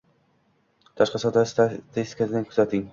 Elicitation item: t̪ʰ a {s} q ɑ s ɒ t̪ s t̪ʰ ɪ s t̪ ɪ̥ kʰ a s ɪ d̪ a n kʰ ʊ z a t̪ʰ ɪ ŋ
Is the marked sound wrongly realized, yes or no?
yes